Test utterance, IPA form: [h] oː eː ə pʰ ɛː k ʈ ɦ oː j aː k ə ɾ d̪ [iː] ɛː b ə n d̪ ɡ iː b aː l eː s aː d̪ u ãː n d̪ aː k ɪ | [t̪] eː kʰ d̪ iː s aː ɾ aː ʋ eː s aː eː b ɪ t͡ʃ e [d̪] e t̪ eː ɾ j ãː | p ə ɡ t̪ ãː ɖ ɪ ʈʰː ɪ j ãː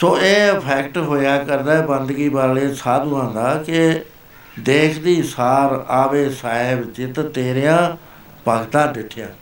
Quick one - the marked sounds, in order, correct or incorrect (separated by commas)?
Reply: incorrect, incorrect, incorrect, incorrect